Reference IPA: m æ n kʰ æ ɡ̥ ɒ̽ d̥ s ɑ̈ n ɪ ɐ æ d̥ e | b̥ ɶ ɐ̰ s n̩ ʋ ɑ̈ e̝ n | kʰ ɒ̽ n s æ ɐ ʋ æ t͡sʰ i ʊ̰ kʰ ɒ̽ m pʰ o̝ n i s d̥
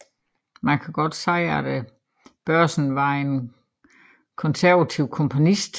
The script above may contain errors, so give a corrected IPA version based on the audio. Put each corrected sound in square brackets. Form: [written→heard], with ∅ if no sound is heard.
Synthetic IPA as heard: m æ n kʰ æ ɡ̥ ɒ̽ d̥ s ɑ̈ [n→∅] ɪ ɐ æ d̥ e | b̥ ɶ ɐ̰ s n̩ ʋ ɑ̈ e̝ n | kʰ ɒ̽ n s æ ɐ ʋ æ t͡sʰ i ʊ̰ kʰ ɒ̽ m pʰ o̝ n i s d̥